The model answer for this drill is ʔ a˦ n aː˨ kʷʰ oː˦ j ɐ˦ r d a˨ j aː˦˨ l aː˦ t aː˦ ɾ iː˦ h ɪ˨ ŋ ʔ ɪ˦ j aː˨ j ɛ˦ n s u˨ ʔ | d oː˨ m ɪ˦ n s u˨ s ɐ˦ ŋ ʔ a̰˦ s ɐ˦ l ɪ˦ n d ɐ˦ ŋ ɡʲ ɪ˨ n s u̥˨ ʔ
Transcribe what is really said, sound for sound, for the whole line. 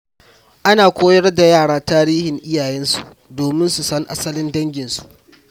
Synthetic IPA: ʔ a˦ n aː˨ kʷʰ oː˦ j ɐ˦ r d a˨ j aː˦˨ ɽ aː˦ t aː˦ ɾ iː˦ h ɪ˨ ŋ ʔ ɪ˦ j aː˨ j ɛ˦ n s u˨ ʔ | d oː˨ m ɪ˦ n s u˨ s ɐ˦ ŋ ʔ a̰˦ s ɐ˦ l ɪ˦ n d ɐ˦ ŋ ɡʲ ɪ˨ n s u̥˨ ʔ

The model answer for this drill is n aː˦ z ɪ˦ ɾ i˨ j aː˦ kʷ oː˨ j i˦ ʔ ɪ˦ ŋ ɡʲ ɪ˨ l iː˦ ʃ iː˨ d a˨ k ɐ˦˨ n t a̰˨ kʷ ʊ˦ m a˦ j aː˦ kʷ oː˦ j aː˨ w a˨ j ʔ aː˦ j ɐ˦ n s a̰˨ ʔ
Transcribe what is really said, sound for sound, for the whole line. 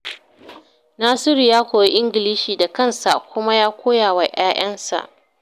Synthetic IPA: n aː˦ s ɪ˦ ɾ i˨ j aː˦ kʷ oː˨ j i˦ ʔ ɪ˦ ŋ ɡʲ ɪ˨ l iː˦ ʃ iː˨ d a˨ k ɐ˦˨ n s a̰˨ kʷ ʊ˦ m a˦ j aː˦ kʷ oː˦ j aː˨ w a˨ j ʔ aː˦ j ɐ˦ n s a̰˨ ʔ

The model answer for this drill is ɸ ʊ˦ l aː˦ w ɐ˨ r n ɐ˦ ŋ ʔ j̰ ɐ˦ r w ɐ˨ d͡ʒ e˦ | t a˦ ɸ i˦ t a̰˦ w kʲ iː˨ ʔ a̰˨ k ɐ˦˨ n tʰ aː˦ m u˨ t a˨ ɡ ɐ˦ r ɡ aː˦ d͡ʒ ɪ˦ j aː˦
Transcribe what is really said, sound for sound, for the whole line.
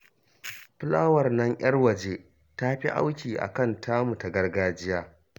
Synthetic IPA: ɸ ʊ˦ l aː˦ w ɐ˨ r n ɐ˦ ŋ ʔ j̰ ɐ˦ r w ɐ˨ d͡ʒ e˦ | t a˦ ɸ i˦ ʔ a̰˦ w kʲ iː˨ ʔ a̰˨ k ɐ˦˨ n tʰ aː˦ m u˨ t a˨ ɡ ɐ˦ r ɡ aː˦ d͡ʒ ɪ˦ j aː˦

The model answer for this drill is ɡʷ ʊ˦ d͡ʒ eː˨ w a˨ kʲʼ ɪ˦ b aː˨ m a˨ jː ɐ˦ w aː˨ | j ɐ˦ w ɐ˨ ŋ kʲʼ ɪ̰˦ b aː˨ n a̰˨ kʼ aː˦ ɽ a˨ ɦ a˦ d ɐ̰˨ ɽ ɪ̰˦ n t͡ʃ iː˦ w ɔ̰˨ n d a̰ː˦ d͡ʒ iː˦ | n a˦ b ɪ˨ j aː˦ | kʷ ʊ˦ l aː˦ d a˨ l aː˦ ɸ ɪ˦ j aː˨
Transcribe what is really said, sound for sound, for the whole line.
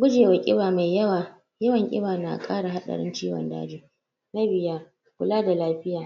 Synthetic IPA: ɡʷ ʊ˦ d͡ʒ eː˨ w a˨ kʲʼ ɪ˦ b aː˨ m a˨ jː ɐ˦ w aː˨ | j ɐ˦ w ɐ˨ ŋ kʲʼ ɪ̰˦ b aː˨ n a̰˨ kʼ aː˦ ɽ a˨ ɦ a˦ ɗ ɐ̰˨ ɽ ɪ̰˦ n t͡ʃ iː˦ w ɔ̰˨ n d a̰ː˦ d͡ʒ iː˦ | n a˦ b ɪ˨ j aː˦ | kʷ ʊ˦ l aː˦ d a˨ l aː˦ ɸ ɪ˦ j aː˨

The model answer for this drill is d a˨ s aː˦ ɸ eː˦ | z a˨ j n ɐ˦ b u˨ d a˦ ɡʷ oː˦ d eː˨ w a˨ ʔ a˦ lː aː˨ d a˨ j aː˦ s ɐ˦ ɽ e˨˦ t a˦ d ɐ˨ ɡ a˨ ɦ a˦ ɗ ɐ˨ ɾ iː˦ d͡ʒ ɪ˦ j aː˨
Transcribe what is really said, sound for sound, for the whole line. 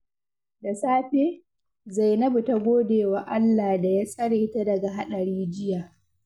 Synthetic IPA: d a˨ s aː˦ ɸ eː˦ | z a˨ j n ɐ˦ b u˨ t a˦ ɡʷ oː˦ d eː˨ w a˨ ʔ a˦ lː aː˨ d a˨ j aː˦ s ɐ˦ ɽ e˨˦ t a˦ d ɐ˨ ɡ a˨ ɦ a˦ ɗ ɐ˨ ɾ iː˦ d͡ʒ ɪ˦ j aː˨

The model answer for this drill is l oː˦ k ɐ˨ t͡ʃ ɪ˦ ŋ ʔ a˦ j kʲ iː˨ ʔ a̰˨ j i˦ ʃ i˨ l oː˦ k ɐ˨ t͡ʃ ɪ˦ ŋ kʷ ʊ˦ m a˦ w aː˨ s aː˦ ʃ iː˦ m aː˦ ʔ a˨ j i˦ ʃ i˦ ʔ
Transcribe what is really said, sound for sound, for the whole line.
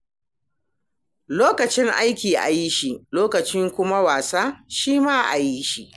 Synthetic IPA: l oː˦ k ɐ˨ t͡ʃ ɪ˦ ŋ ʔ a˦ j kʲ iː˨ ʔ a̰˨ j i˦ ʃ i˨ l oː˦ k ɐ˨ t͡ʃ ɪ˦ ŋ kʷ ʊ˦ m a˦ w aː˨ s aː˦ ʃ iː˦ m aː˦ ʔ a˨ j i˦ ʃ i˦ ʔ

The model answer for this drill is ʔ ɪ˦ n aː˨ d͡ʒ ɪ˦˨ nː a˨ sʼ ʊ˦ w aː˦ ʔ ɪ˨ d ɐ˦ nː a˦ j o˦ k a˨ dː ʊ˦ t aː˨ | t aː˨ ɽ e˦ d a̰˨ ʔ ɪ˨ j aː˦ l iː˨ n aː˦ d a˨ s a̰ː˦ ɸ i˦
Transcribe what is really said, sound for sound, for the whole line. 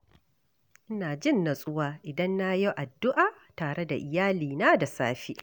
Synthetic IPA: ʔ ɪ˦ n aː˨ d͡ʒ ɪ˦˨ nː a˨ sʼ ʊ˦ w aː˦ ʔ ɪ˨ d ɐ˦ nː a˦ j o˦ ʔ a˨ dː ʊ˦ ʔ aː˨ | t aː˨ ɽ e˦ d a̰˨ ʔ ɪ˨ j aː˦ l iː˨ n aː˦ d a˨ s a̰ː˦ ɸ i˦

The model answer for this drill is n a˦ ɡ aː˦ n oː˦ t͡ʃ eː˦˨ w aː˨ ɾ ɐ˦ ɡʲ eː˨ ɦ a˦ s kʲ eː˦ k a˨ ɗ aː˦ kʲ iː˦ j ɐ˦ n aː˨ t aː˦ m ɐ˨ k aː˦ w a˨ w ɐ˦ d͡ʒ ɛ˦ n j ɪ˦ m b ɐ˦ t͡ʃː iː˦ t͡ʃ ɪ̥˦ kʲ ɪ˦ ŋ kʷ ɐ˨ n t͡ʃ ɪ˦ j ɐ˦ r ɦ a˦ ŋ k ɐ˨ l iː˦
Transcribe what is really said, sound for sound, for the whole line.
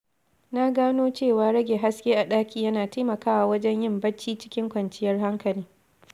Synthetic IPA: n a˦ ɡ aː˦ n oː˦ t͡ʃ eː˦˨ w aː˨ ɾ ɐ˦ ɡʲ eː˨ ɦ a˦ s kʲ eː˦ ʔ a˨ ɗ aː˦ kʲ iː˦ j ɐ˦ n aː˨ t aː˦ m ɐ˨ k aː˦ w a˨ w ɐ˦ d͡ʒ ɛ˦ ɲ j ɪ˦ m b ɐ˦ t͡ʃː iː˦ t͡ʃ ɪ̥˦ kʲ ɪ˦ ŋ kʷ ɐ˨ n t͡ʃ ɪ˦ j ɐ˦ r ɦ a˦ ŋ k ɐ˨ l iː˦

